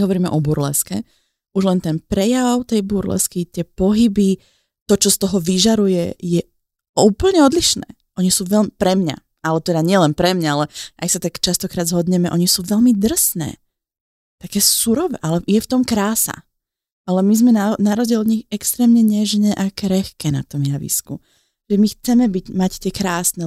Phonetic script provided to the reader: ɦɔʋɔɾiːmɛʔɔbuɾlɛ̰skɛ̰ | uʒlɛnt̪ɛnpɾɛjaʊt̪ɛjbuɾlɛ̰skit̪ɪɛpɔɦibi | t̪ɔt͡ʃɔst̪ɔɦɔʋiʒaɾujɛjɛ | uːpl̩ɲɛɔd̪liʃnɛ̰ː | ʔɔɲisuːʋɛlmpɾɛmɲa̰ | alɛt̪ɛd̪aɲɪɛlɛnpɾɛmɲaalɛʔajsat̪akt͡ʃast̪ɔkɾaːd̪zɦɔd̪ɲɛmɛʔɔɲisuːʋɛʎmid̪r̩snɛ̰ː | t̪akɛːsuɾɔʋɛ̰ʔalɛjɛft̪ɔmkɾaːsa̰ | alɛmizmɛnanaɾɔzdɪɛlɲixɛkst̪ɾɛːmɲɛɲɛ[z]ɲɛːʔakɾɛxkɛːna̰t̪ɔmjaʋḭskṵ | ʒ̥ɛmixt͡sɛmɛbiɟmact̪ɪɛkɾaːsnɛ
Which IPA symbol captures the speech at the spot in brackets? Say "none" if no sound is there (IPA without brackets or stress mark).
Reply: ʒ